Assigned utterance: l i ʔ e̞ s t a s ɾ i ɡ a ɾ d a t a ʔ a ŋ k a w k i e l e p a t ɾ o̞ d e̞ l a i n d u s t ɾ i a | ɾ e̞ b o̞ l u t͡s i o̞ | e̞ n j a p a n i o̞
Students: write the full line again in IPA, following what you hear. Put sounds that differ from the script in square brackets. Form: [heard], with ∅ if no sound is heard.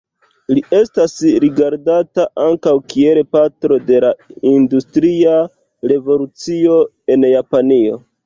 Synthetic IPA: l i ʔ e̞ s t a s ɾ i ɡ a ɾ d a t a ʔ a ŋ k a w k i e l e p a t ɾ o̞ d e̞ l a i n d u s t ɾ i a | ɾ e̞ [v] o̞ l u t͡s i o̞ | e̞ n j a p a n i o̞